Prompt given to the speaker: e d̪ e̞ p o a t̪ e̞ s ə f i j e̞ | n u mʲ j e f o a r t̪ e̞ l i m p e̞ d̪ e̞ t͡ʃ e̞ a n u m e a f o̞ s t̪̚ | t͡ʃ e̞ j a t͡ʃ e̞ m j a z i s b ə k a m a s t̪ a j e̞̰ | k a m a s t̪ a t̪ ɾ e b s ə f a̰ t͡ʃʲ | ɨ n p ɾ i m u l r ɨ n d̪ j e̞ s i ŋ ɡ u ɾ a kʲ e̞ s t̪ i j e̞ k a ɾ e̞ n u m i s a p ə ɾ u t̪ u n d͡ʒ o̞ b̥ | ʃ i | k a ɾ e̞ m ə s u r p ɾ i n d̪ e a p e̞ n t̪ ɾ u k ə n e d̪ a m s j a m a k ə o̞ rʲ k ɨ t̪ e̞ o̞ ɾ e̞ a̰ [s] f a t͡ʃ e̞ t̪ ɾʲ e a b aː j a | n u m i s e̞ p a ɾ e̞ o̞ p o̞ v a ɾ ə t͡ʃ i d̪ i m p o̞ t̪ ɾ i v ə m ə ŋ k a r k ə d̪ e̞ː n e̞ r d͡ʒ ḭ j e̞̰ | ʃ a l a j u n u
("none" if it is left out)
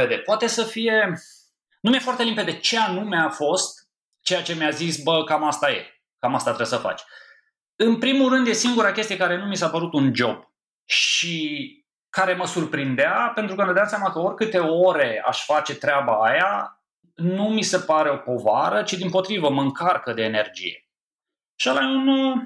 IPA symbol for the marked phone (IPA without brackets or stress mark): ʃ